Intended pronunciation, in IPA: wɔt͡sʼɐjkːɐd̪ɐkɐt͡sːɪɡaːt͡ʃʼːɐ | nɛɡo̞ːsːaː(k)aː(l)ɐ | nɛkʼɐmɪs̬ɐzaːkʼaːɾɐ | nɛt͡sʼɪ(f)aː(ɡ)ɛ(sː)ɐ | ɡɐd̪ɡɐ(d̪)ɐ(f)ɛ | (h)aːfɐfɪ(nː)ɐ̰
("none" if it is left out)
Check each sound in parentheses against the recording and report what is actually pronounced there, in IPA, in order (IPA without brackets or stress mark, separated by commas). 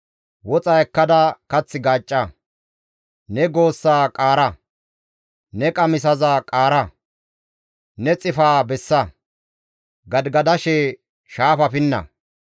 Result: kʼ, ɾ, f, b, sː, d̪, ʃ, ʃ, nː